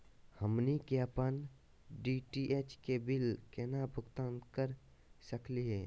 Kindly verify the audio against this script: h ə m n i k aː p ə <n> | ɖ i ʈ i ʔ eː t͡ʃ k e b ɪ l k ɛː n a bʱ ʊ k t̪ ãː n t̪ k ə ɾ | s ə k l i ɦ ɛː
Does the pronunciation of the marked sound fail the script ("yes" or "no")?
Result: no